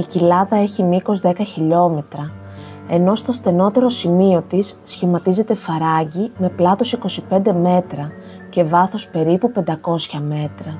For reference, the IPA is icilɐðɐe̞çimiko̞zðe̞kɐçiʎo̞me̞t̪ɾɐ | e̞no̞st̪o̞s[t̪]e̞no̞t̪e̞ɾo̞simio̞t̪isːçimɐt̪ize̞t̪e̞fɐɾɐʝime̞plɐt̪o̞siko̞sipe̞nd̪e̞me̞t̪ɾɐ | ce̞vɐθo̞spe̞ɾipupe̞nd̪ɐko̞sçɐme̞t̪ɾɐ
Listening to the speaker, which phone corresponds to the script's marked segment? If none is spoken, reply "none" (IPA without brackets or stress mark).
t̪